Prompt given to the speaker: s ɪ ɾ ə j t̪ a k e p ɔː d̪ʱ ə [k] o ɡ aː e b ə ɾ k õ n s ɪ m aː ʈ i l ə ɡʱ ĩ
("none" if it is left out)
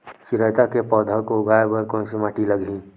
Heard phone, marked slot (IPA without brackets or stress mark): k